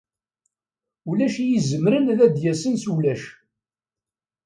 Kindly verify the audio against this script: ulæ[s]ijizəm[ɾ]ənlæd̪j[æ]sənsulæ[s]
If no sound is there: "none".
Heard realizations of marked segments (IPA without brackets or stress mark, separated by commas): ʃ, ɾ, æ, ʃ